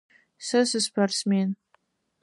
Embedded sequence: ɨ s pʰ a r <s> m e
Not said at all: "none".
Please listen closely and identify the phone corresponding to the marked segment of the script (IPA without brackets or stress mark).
s